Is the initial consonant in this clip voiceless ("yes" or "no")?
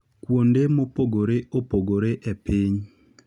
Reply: yes